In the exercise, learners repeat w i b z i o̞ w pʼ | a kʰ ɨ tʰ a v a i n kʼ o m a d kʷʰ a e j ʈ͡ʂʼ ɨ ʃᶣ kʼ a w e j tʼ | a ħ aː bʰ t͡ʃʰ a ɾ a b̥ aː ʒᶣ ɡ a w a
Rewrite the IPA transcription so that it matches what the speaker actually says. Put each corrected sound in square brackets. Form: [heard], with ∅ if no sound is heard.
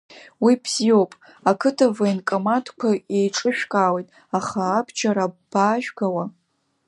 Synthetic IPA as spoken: w i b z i o̞ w pʼ | a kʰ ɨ tʰ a v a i n kʼ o m a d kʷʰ a e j ʈ͡ʂʼ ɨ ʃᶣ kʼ a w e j tʼ | a [χ] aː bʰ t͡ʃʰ a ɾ a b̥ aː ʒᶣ ɡ a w a